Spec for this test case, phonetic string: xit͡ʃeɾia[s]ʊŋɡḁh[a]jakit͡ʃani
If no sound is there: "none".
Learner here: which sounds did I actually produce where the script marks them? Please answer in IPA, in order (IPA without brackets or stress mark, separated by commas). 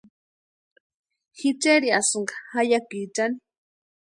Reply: s, a